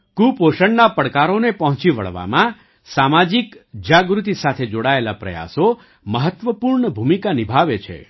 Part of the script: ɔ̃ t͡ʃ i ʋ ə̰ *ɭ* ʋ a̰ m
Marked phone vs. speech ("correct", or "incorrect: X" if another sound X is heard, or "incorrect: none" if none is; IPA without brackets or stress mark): correct